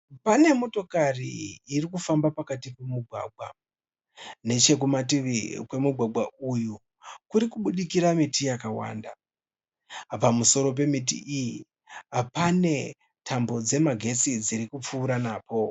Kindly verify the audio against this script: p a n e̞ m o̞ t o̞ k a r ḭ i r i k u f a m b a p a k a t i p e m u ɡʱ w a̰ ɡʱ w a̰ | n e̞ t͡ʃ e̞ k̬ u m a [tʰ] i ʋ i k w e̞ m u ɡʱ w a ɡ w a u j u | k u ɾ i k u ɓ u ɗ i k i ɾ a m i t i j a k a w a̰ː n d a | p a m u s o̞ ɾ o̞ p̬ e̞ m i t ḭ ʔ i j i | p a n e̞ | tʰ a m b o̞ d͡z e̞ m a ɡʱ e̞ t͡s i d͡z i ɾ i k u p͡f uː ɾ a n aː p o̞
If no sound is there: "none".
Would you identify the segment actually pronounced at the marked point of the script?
t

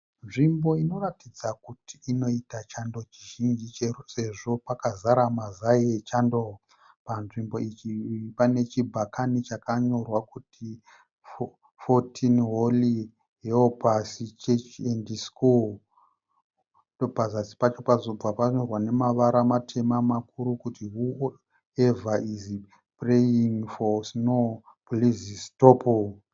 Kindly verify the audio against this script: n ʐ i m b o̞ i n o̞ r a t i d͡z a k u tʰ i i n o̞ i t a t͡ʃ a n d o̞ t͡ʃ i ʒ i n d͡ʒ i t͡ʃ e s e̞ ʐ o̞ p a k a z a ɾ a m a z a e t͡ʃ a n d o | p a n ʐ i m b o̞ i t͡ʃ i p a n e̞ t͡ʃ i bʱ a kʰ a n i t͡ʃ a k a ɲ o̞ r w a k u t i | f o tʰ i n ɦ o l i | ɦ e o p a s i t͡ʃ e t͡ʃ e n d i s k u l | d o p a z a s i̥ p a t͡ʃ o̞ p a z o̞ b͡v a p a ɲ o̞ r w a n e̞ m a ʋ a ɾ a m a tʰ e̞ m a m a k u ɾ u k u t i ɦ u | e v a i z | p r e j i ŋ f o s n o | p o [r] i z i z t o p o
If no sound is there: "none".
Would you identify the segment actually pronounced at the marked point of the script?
l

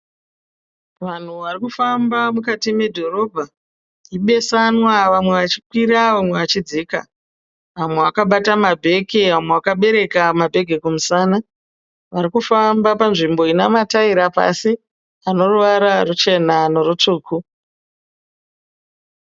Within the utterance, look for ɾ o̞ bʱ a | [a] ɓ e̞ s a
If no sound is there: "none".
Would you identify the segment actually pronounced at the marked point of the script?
i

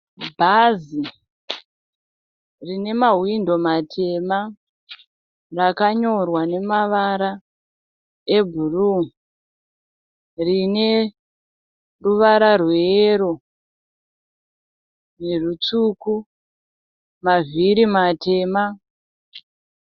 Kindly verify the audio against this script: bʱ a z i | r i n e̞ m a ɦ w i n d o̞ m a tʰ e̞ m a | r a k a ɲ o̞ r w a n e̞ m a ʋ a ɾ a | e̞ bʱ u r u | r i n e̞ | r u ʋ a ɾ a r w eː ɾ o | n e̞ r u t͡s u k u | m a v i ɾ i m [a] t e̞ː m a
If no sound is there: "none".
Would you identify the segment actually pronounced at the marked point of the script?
a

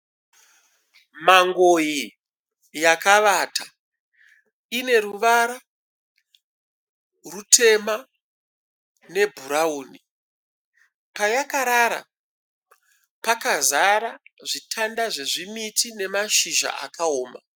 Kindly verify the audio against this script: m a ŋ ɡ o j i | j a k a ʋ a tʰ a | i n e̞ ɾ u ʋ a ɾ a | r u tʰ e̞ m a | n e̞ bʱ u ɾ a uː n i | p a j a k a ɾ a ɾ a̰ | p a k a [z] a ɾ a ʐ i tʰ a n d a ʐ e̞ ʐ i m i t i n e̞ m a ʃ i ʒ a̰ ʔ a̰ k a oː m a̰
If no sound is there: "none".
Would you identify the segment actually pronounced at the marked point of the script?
z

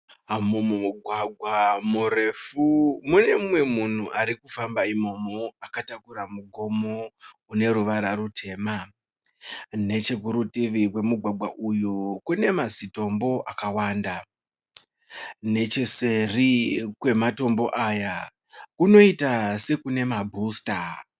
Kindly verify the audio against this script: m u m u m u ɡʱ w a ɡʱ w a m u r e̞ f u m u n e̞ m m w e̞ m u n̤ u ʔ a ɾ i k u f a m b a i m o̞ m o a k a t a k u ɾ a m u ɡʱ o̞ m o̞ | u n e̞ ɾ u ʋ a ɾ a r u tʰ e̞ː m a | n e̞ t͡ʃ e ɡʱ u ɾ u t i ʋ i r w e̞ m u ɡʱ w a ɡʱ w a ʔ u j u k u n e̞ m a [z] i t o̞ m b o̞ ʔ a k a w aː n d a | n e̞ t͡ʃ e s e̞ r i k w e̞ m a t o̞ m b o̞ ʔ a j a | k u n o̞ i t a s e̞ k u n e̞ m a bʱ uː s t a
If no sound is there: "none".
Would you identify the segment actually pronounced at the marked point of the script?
z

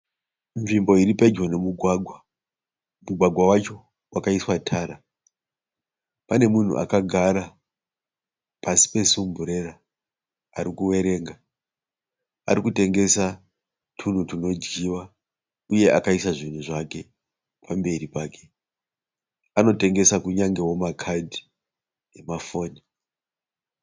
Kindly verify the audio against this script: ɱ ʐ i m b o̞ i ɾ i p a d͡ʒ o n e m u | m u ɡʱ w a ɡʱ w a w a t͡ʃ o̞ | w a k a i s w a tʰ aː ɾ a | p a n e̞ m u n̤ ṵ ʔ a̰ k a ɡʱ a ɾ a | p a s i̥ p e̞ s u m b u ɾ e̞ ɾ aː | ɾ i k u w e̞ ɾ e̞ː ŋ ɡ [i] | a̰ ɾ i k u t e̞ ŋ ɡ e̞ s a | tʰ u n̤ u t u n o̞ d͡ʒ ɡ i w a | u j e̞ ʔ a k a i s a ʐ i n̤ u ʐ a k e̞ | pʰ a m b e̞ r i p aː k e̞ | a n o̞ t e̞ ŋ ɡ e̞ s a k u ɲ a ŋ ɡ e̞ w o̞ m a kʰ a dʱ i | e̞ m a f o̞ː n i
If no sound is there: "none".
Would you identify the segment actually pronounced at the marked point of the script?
a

